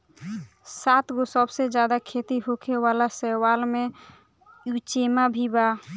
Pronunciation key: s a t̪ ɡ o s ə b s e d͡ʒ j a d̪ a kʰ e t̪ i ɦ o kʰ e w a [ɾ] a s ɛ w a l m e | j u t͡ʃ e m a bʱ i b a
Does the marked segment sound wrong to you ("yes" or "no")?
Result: yes